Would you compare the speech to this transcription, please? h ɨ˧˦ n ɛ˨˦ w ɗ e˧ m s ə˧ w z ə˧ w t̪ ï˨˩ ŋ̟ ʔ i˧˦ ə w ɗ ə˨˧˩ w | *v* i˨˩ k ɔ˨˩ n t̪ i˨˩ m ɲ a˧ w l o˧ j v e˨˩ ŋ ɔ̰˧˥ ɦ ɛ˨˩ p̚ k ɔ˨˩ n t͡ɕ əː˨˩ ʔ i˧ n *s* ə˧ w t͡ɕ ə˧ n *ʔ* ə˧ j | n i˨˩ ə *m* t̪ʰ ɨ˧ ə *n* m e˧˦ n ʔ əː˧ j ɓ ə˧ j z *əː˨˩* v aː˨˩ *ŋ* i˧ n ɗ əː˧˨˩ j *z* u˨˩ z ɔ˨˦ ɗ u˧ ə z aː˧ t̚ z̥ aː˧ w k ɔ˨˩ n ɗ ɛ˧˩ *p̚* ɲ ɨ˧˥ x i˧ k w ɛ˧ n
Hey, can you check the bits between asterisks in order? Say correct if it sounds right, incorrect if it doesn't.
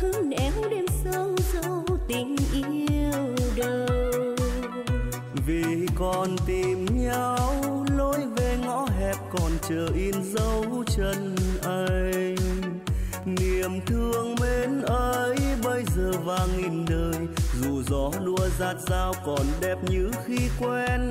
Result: correct, incorrect: z, correct, correct, incorrect: ŋ, correct, correct, correct, correct

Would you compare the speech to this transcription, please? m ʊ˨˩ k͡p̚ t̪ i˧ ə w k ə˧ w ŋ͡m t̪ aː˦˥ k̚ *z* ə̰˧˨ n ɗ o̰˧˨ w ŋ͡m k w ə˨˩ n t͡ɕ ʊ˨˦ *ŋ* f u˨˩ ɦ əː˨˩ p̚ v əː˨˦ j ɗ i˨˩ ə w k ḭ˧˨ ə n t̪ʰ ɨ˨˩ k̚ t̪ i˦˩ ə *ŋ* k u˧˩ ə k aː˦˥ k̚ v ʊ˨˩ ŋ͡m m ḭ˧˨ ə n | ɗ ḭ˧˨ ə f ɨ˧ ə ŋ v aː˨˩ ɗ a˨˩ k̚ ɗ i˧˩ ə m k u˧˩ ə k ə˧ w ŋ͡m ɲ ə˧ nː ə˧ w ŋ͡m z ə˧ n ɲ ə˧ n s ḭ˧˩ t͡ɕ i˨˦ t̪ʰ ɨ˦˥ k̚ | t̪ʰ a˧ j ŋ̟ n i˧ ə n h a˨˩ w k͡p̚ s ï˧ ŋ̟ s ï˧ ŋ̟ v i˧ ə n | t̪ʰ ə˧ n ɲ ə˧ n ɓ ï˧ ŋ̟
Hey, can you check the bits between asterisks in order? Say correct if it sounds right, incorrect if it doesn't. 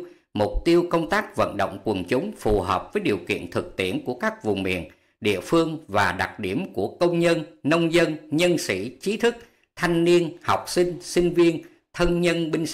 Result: incorrect: v, incorrect: ŋ͡m, incorrect: n

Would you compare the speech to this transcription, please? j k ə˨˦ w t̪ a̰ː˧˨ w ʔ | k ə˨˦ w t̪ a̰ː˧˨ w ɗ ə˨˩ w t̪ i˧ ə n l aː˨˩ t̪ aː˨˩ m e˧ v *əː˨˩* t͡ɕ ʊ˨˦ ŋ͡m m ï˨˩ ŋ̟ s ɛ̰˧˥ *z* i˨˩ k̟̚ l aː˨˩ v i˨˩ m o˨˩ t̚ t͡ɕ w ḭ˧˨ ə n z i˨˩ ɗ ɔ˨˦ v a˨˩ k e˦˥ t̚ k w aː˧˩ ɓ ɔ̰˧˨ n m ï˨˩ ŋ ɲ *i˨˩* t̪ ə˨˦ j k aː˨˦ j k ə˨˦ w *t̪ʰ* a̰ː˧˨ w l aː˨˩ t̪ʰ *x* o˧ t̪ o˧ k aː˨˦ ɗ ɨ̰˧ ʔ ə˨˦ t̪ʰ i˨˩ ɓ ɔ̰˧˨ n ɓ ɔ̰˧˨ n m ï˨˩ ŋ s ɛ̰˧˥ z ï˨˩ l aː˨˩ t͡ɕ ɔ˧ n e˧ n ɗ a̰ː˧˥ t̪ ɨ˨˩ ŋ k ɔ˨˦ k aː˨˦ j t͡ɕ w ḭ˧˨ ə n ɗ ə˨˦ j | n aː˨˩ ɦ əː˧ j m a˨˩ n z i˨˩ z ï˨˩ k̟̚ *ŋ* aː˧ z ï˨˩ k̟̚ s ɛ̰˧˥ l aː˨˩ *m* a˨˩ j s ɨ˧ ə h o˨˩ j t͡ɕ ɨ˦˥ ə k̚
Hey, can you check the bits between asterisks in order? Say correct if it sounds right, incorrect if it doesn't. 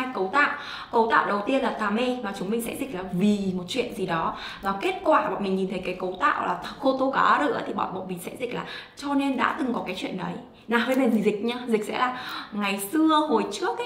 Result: incorrect: aː˨˩, correct, correct, incorrect: t̪, correct, incorrect: ɲ, incorrect: ŋ

